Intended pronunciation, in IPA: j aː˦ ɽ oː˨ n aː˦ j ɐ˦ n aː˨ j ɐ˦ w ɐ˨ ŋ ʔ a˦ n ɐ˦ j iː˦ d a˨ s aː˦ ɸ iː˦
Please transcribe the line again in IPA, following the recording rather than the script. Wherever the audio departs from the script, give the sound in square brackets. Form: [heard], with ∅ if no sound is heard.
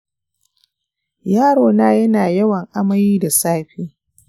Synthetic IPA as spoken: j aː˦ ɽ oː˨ n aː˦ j ɐ˦ n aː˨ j ɐ˦ w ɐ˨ ŋ ʔ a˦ [m] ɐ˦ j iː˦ d a˨ s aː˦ ɸ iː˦

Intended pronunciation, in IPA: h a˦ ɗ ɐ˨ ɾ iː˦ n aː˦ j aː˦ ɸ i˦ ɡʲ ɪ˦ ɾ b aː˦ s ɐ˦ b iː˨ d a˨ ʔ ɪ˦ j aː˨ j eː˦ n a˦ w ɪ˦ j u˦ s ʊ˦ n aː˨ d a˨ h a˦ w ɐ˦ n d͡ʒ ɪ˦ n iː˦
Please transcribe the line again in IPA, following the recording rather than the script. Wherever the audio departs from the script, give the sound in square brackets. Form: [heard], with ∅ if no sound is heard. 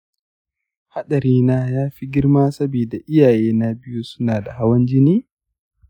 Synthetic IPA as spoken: h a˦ ɗ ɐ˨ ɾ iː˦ n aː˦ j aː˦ ɸ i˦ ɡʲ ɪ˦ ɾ [m] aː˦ s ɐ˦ b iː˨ d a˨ ʔ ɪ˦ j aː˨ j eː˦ n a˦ [b] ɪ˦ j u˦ s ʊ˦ n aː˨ d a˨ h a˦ w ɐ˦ n d͡ʒ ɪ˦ n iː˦

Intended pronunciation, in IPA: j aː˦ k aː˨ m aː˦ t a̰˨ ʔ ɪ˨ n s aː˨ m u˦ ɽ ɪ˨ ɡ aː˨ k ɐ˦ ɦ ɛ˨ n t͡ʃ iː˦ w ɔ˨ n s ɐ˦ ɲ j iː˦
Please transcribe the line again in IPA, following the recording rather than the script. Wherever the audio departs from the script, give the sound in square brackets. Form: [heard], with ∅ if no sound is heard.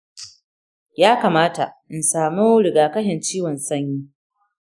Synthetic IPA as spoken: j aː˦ k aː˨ m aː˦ t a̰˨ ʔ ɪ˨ n s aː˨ m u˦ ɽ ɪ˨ ɡ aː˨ k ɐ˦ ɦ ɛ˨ n t͡ʃ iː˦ w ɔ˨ n s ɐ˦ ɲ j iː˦

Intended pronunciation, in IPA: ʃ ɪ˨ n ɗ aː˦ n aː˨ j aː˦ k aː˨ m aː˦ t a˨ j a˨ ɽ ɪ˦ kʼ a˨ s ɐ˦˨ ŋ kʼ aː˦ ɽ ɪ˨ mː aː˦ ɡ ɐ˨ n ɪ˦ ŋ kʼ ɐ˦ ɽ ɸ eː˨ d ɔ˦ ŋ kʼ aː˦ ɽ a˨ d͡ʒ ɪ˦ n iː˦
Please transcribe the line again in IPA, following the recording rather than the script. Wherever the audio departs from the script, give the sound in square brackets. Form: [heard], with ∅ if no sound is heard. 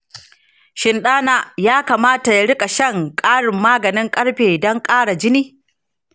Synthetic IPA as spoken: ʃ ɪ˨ n ɗ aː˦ n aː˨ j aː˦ k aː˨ m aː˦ t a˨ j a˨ ɽ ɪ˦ kʼ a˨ [ʃ] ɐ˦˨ ŋ kʼ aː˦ ɽ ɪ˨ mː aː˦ ɡ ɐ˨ n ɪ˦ ŋ kʼ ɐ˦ ɽ ɸ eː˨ d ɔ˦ ŋ kʼ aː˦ ɽ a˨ d͡ʒ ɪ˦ n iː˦

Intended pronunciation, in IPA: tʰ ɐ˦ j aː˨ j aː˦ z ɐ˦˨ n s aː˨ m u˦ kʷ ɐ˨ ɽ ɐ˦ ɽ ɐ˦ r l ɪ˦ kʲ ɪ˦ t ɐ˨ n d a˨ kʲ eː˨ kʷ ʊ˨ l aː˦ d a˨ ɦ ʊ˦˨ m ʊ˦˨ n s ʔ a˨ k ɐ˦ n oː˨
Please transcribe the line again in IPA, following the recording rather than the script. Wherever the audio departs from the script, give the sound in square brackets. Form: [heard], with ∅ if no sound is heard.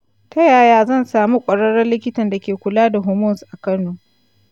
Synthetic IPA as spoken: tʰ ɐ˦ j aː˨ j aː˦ z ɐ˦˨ n s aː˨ m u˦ [kʷʼ] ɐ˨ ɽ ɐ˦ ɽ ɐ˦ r l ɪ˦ kʲ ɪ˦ t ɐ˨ n d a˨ kʲ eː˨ kʷ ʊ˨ l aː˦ d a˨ ɦ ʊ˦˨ m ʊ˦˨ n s ʔ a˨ k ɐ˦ n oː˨

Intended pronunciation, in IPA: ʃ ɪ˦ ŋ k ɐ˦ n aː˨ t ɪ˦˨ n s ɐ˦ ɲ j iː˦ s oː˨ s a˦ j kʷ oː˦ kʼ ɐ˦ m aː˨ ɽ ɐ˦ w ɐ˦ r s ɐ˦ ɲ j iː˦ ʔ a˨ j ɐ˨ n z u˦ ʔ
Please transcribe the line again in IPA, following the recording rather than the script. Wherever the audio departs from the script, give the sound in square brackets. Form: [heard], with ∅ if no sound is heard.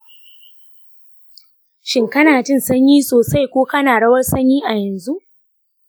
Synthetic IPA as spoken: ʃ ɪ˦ ŋ k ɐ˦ n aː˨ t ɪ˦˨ n s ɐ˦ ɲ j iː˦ s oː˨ s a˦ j kʷ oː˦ [k] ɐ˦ [n] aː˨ ɽ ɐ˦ w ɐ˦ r s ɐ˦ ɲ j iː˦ ʔ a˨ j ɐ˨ n z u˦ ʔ

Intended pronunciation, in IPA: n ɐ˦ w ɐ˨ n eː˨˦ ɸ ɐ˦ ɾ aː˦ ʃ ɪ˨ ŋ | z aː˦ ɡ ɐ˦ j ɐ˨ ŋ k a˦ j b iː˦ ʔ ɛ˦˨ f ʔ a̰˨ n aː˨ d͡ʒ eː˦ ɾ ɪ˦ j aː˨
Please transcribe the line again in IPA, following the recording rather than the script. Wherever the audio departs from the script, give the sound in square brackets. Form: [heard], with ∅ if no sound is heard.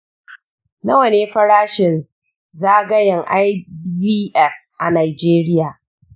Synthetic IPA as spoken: n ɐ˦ w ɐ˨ n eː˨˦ ɸ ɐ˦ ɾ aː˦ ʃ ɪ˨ [n] | z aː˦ ɡ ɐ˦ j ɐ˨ ŋ [ʔ] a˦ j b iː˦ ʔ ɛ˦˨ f ʔ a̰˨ n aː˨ d͡ʒ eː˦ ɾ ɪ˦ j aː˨

